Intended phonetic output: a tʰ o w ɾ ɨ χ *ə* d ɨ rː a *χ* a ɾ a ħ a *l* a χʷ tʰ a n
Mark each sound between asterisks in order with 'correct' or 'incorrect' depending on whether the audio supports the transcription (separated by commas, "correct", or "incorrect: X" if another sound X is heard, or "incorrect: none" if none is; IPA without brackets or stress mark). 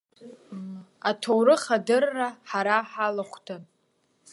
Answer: incorrect: a, incorrect: ħ, correct